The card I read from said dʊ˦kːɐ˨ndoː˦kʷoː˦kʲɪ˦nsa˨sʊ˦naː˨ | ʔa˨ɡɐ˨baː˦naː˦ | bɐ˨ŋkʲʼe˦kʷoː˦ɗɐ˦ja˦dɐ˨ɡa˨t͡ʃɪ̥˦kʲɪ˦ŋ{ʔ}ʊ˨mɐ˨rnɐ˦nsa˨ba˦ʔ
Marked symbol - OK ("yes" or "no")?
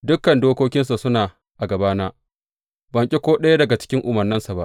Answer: yes